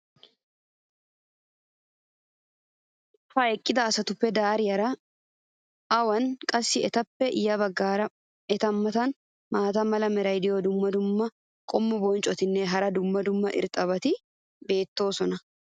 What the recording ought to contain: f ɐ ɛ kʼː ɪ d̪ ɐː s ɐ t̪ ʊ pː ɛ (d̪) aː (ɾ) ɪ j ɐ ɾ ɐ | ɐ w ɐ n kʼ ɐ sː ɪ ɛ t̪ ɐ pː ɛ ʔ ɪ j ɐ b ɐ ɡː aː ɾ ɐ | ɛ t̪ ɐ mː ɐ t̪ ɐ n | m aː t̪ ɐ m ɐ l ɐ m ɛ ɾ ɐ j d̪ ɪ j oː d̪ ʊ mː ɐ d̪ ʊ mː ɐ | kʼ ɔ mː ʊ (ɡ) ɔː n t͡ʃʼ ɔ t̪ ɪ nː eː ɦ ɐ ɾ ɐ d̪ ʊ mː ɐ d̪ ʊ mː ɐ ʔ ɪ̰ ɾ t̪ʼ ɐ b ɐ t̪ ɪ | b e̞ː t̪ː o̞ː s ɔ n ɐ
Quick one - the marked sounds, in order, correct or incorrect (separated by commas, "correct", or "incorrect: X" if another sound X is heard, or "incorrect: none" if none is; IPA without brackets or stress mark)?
correct, correct, incorrect: b